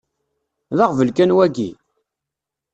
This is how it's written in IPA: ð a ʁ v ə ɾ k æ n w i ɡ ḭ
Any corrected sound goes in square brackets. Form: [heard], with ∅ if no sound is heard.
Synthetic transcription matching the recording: ð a ʁ v ə [l] k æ n w [æ] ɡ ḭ